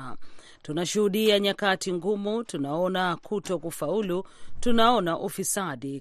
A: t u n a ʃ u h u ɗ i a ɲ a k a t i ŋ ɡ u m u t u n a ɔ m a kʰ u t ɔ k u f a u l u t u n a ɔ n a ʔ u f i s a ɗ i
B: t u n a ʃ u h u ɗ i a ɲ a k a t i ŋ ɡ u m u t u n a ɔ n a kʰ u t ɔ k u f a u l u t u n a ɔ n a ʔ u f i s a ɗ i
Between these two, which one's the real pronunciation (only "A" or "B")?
B